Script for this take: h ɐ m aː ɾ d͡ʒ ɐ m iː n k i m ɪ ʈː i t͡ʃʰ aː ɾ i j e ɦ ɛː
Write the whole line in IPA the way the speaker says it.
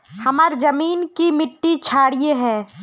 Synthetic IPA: h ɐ m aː ɾ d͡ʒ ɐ m iː n k i m ɪ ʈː i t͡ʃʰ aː ɽ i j e ɦ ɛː